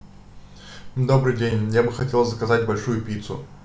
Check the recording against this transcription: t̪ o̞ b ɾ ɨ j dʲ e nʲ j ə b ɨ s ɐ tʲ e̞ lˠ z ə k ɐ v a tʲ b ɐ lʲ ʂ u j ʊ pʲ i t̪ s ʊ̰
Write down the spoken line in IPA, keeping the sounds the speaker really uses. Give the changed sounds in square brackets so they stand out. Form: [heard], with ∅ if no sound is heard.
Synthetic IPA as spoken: [d̪] o̞ b ɾ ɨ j dʲ e nʲ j [a] b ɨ [x] ɐ tʲ e̞ lˠ z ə k ɐ [z] a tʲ b ɐ lʲ ʂ u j ʊ pʲ i t̪ s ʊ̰